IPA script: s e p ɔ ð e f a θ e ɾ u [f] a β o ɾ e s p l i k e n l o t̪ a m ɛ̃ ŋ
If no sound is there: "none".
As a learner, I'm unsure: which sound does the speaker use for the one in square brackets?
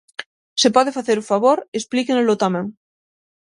f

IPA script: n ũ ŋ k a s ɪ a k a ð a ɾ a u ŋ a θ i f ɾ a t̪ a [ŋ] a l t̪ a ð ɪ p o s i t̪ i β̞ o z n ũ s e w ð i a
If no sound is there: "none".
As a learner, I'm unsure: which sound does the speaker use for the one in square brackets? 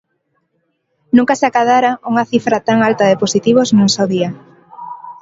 ŋ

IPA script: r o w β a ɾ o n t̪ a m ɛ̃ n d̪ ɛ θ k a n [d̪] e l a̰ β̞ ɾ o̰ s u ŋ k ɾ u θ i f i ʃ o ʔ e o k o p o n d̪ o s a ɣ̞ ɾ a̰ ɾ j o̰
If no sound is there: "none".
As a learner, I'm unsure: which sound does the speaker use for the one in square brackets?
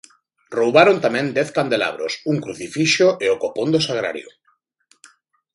d̪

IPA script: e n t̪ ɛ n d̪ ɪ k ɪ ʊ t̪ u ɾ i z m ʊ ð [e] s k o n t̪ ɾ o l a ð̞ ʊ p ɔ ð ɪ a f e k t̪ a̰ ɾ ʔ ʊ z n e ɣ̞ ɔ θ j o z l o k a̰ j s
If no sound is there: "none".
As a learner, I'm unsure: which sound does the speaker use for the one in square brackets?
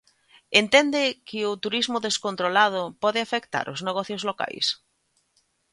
e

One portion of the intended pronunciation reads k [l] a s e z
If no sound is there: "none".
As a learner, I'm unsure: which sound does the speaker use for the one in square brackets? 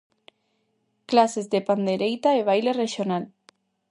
l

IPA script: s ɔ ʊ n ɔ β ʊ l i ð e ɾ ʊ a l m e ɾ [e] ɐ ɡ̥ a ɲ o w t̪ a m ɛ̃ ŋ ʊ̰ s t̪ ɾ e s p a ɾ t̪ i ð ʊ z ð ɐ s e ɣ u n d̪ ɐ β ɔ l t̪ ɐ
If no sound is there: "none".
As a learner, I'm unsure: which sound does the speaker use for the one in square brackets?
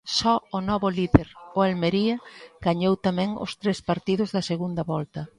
i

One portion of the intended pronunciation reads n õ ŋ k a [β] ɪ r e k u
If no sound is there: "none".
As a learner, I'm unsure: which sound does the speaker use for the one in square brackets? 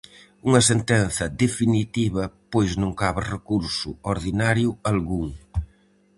β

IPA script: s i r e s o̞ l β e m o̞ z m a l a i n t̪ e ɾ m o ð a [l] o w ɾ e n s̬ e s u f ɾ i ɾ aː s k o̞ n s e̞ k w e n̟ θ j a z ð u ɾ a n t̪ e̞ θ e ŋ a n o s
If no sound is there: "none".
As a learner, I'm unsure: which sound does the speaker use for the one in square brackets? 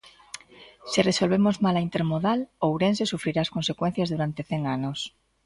l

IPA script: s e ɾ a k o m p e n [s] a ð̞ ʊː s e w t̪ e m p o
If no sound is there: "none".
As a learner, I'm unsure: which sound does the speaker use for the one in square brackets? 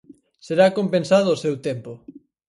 s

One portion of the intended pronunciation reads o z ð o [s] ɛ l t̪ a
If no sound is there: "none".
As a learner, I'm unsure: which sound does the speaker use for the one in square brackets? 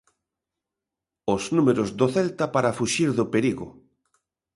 θ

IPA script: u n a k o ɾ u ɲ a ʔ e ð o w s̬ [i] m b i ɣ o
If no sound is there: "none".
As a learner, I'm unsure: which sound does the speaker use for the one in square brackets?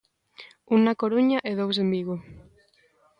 e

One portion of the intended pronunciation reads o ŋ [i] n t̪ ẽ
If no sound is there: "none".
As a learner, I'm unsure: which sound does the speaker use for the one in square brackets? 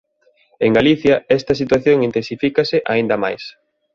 i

